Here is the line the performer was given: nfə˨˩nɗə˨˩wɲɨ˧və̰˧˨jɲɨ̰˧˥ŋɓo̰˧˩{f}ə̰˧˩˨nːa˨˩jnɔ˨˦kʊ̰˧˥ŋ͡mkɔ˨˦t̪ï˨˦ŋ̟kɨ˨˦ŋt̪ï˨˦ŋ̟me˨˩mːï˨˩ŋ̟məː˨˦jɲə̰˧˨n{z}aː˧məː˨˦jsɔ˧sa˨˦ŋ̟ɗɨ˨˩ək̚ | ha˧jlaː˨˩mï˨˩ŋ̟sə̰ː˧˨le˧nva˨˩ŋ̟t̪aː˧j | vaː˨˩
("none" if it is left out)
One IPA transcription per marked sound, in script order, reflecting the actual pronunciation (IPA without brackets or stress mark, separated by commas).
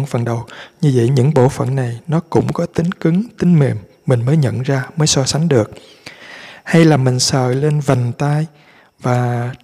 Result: f, z